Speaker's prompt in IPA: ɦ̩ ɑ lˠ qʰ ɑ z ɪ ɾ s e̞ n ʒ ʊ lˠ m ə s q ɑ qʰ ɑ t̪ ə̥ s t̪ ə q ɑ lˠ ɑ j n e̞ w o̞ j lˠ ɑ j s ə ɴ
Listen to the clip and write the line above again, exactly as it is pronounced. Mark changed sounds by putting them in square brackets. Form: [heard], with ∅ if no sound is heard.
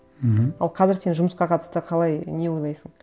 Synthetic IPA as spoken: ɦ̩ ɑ lˠ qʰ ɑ z ɪ ɾ s e̞ n ʒ ʊ [∅] m ə s q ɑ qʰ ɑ t̪ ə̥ s t̪ ə [qʰ] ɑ lˠ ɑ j n e̞ w o̞ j lˠ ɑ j s ə ɴ